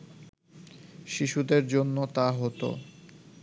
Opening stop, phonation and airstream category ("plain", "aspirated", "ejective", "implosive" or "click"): plain